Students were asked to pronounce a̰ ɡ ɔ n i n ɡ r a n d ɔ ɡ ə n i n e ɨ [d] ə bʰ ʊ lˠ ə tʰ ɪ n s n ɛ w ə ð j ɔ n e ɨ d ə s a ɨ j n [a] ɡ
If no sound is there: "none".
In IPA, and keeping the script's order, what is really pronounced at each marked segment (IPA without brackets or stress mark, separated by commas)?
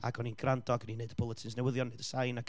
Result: d, a